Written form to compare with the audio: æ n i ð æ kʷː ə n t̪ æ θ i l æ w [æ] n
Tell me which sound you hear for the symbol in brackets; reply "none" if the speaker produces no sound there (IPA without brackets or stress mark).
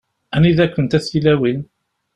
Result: i